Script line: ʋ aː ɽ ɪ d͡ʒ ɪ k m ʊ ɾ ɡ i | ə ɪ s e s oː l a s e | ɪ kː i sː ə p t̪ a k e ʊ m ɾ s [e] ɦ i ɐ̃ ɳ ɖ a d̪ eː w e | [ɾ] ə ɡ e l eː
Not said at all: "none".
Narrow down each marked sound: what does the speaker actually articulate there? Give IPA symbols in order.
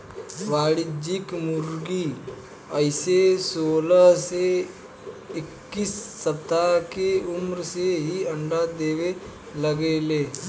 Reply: e, l

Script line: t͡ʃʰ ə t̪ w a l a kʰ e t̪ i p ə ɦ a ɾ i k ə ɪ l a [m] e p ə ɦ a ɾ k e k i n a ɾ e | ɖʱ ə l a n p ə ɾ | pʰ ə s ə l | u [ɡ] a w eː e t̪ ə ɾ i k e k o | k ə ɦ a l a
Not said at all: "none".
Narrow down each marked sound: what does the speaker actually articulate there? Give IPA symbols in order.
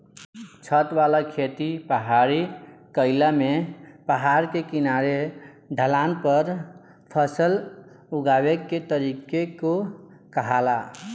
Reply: m, ɡ

